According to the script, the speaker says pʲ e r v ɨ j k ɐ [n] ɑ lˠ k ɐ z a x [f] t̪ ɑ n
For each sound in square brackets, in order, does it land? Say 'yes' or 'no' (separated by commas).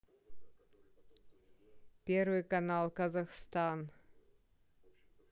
yes, no